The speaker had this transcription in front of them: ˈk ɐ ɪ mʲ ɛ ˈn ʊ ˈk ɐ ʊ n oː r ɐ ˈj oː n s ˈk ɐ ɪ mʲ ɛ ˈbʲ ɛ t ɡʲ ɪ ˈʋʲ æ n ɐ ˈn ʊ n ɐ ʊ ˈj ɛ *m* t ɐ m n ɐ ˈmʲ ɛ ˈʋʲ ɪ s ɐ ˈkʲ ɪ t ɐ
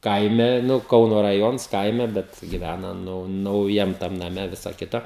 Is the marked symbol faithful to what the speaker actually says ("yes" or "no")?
yes